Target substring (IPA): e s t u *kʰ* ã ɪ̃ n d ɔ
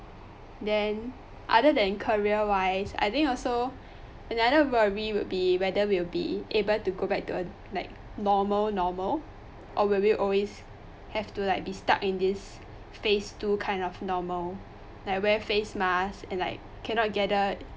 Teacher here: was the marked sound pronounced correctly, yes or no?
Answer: yes